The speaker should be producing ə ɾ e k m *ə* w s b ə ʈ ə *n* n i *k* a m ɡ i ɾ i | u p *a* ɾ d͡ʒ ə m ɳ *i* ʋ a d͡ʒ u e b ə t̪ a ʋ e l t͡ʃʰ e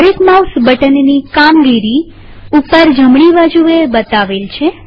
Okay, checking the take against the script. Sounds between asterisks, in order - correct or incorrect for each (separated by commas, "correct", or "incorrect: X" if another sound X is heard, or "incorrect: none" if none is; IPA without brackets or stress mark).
incorrect: a, correct, correct, incorrect: ə, correct